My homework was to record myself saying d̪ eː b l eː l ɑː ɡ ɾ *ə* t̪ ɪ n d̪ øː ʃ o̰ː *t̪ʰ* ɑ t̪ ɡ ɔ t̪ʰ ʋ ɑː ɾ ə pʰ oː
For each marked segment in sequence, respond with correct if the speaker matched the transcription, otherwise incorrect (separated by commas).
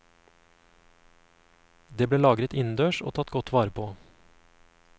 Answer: correct, correct